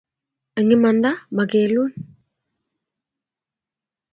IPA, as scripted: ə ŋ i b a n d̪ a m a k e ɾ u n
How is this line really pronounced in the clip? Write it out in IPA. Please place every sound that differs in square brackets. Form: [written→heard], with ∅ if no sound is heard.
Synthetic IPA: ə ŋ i [b→m] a n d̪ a m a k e [ɾ→l] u n